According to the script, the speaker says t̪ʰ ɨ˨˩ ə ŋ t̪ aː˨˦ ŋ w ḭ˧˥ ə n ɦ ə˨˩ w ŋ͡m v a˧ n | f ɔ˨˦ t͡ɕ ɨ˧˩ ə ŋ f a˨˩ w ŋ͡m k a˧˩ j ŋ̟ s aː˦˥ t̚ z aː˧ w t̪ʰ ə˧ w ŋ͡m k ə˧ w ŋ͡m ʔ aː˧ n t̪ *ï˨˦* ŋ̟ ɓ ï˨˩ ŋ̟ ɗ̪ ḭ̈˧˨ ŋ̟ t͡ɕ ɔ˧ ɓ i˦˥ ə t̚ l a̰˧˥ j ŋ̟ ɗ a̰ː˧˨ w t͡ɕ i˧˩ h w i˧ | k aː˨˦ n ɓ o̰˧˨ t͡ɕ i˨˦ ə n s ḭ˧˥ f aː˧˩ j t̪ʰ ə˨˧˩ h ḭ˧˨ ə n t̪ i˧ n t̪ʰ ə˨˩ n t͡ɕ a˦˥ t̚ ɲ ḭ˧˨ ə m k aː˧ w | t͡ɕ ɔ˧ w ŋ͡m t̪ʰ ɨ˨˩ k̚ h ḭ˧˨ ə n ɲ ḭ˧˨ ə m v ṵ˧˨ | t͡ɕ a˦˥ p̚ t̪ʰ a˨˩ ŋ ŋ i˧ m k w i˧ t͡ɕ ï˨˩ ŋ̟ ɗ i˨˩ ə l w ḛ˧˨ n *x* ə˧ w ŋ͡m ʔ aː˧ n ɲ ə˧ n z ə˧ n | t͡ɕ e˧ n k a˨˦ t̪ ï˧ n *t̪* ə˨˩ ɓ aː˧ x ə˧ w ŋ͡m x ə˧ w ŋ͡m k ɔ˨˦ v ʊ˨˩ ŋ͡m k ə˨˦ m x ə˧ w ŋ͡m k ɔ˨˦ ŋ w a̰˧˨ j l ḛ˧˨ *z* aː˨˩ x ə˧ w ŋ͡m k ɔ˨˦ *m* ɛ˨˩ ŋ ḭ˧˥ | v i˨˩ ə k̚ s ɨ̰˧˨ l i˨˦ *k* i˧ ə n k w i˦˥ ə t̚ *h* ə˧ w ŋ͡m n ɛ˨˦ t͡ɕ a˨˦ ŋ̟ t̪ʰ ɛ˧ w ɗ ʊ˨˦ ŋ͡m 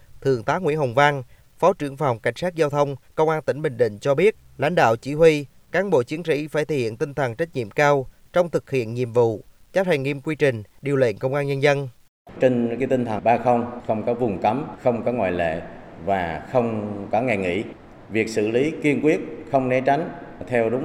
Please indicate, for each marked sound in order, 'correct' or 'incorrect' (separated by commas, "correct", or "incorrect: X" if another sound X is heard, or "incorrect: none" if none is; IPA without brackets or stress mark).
incorrect: ï˧˩, incorrect: k, incorrect: t̪ʰ, incorrect: v, incorrect: ŋ, correct, incorrect: x